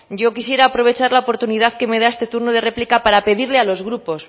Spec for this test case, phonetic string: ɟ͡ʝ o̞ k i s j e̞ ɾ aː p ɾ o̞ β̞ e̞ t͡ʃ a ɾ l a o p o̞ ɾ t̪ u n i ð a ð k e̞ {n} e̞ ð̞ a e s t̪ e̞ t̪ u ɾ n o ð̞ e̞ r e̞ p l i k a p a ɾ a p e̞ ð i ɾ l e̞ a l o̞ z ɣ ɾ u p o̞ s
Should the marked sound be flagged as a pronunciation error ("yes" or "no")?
yes